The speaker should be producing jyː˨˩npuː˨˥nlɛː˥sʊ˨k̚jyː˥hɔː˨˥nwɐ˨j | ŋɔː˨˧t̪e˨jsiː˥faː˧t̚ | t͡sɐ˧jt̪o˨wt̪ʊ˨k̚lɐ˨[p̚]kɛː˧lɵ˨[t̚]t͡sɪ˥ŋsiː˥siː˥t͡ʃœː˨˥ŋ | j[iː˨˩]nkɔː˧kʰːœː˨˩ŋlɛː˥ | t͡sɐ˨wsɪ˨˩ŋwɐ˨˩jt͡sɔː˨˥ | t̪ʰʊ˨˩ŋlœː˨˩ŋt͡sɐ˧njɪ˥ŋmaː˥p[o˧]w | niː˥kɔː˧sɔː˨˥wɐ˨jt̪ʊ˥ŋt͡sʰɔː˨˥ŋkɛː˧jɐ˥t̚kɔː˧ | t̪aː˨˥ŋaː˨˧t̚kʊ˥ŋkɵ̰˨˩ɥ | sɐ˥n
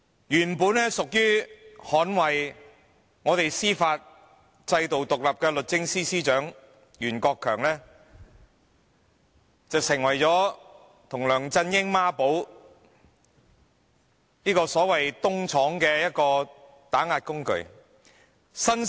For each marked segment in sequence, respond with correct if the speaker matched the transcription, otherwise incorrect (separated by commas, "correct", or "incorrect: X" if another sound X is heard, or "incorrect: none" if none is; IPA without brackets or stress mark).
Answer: correct, correct, incorrect: yː˨˩, incorrect: o˨˥